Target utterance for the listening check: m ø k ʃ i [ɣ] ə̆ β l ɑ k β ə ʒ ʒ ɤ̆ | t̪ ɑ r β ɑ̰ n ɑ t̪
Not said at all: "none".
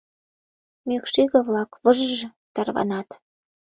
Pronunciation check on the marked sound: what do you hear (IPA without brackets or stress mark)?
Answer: ɣ